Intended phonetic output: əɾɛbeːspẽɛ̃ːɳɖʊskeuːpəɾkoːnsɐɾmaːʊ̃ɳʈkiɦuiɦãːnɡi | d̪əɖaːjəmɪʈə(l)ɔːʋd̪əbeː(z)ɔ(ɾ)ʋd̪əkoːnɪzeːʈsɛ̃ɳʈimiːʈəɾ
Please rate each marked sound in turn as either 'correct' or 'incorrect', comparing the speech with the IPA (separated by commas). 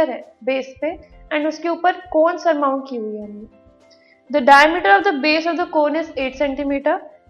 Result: incorrect, incorrect, incorrect